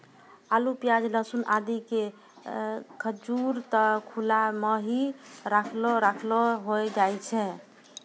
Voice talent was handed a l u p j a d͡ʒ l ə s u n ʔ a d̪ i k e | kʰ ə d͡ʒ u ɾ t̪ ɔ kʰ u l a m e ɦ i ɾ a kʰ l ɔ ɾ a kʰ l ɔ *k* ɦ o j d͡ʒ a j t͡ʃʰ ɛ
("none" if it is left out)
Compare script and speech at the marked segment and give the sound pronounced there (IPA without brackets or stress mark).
none